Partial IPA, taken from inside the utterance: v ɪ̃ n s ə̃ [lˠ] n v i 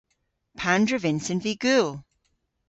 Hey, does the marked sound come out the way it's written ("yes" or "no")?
no